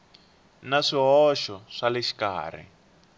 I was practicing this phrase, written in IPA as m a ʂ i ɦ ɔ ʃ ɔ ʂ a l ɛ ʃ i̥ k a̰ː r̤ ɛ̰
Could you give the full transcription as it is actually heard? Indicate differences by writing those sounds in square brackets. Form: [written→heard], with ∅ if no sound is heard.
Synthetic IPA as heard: [m→n] a ʂ i ɦ ɔ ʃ ɔ ʂ a l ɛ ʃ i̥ k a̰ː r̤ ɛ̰